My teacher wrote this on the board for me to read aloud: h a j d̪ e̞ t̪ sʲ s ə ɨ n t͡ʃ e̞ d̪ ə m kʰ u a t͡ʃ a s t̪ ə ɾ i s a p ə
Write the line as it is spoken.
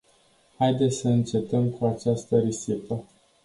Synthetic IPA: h a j d̪ e̞ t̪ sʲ s ə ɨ n t͡ʃ e̞ t̪ ə m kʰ u a t͡ʃ a s t̪ ə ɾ i s i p ə